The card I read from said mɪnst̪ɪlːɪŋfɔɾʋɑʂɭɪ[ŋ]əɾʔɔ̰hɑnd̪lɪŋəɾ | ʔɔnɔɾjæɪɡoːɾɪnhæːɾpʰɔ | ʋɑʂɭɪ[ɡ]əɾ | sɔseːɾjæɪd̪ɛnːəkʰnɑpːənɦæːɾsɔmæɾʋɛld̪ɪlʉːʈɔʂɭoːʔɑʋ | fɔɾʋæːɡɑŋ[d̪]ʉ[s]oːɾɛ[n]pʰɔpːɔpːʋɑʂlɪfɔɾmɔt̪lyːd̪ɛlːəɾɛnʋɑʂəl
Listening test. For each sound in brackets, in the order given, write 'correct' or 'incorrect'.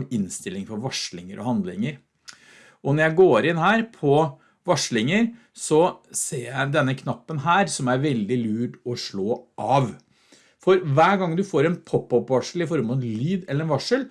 correct, incorrect: ŋ, correct, incorrect: f, correct

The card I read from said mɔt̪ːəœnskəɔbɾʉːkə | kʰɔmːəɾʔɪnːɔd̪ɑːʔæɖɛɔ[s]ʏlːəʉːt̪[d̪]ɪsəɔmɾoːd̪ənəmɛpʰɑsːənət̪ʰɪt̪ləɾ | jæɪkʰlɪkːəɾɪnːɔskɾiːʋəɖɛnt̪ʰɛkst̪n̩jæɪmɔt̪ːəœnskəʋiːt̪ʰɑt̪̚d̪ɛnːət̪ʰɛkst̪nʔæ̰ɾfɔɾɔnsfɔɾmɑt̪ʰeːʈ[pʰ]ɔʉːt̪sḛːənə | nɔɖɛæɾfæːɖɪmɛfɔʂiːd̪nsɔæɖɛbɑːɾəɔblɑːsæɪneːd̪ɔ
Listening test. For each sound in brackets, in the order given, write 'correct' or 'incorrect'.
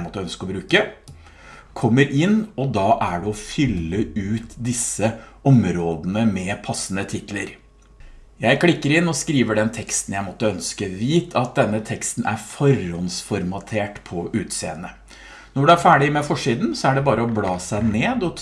incorrect: f, correct, correct

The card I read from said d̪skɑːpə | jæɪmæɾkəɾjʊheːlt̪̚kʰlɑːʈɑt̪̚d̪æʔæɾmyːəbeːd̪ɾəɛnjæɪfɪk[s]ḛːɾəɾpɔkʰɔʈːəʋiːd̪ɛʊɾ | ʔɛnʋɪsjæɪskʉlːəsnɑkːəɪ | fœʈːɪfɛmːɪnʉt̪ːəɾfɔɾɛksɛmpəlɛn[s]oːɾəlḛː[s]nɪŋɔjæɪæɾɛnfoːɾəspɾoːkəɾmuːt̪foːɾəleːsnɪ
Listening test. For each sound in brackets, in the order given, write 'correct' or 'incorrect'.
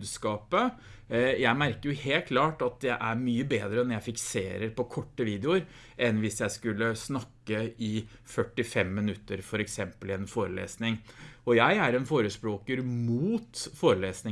correct, incorrect: f, correct

